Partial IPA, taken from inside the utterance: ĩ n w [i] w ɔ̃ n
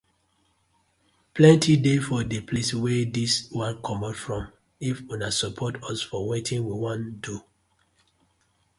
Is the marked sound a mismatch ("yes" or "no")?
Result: no